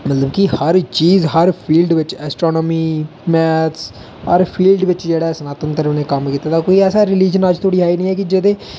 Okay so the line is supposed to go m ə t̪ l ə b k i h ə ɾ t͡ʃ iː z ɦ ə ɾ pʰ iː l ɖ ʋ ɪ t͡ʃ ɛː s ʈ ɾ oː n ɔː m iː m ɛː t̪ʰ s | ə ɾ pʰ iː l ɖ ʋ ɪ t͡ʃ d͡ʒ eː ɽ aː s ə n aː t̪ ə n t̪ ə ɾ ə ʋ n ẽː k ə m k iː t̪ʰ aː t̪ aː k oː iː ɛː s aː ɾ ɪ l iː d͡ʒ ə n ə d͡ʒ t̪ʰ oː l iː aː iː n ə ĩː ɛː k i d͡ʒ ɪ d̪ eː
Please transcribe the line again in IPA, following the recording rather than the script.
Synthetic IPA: m ə t̪ l ə b k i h ə ɾ t͡ʃ iː z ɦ ə ɾ pʰ iː l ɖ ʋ ɪ t͡ʃ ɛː s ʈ ɾ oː n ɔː m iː m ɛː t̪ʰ s | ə ɾ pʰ iː l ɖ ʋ ɪ t͡ʃ d͡ʒ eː ɽ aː s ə n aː t̪ ə n t̪ ə ɾ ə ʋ n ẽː k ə m k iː t̪ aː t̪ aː k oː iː ɛː s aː ɾ ɪ l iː d͡ʒ ə n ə d͡ʒ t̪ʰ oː ɽ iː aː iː n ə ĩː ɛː k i d͡ʒ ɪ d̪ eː